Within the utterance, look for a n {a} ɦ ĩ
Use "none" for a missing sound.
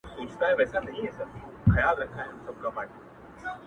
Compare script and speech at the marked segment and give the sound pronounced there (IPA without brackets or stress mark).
ɐ